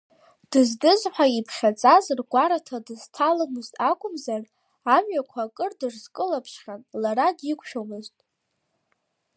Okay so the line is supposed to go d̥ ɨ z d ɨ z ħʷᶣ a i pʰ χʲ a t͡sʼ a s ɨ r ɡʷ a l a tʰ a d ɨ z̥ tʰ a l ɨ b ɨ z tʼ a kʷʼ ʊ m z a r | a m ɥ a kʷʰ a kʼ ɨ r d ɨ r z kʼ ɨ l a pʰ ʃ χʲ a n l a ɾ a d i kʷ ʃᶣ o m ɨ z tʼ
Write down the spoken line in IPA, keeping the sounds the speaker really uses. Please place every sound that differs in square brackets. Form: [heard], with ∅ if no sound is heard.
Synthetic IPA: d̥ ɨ z d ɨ z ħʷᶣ a i pʰ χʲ a t͡sʼ a [z] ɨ r ɡʷ a [ɾ] a tʰ a d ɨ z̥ tʰ a l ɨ [m] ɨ z tʼ a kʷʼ ʊ m z a r | a m ɥ a kʷʰ a kʼ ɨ r d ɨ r z kʼ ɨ l a pʰ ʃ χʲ a n l a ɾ a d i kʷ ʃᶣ o m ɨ z tʼ

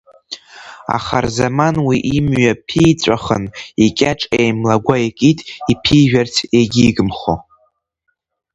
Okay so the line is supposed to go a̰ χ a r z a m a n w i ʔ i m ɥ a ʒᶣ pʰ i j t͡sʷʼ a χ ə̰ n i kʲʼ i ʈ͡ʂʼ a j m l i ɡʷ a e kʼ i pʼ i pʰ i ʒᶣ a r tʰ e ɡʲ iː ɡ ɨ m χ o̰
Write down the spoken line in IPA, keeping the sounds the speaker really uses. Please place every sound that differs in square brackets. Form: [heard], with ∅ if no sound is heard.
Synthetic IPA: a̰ χ a r z a m a n w i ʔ i m ɥ a [∅] pʰ i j t͡sʷʼ a χ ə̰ n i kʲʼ [a] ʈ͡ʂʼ [e] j m l [a] ɡʷ a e kʼ i [tʼ] i pʰ i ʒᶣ a r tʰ e ɡʲ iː ɡ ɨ m χ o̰

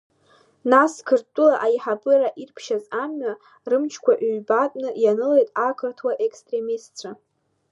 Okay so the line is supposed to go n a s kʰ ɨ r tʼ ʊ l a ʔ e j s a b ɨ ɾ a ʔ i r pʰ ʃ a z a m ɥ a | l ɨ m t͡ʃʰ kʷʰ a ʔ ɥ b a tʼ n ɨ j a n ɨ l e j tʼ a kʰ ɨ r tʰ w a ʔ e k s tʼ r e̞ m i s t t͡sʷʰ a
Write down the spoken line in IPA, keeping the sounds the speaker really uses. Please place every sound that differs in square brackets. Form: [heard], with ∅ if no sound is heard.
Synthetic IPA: n a s kʰ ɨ r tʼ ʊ l a ʔ [a] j [ħ] a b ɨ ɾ a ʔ i r pʰ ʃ a z a m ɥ a | [r] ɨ m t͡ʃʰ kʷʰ a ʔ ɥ b a tʼ n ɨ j a n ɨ l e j tʼ a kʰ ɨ r tʰ w a ʔ e k s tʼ r e̞ m i s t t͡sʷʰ a

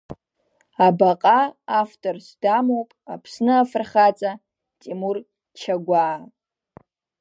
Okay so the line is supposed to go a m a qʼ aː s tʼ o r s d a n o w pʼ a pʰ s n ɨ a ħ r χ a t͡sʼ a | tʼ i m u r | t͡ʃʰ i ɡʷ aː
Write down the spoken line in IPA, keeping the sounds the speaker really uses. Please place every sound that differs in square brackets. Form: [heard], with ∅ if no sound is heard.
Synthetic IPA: a [b] a qʼ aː [f] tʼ o r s d a [m] o w pʼ a pʰ s n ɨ a [f] r χ a t͡sʼ a | tʼ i m u r | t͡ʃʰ [a] ɡʷ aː

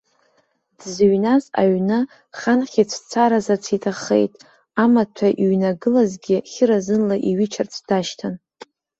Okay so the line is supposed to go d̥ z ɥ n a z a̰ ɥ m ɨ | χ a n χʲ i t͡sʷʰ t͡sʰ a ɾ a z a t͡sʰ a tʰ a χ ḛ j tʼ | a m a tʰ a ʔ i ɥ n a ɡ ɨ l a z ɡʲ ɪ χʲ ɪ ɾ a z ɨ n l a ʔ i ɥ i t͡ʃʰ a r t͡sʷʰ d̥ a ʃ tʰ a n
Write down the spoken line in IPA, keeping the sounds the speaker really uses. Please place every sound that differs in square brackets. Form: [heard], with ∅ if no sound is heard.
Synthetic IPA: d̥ z ɥ n a z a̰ ɥ [n] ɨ | χ a n χʲ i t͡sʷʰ t͡sʰ a ɾ a z a t͡sʰ [i] tʰ a χ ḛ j tʼ | a m a tʰ a ʔ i ɥ n a ɡ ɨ l a z ɡʲ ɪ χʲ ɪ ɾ a z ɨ n l a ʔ i ɥ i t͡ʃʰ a r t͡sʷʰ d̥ a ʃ tʰ a n

